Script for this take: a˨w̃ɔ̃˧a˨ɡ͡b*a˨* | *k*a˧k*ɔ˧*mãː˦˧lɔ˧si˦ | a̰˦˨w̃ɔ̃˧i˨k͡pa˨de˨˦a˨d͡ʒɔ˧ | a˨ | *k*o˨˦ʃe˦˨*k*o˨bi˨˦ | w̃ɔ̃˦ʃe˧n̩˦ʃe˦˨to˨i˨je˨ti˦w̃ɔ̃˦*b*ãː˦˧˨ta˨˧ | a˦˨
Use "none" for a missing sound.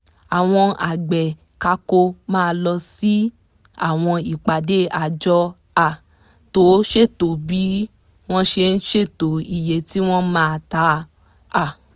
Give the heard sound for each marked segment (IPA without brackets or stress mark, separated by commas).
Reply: ɛ˨, k, o˧, t, t, m